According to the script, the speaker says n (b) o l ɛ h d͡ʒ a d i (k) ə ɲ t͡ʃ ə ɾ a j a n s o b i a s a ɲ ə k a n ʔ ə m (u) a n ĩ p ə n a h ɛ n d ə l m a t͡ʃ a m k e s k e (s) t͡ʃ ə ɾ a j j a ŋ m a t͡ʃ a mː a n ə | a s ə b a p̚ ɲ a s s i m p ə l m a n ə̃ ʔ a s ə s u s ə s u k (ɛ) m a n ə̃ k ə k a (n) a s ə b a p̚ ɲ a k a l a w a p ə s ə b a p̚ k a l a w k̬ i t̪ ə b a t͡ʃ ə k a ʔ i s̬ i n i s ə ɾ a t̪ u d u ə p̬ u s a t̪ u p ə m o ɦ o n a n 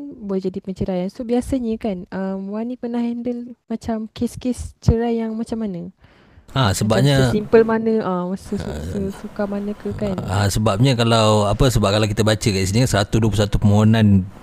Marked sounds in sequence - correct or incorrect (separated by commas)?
correct, incorrect, incorrect, correct, incorrect, correct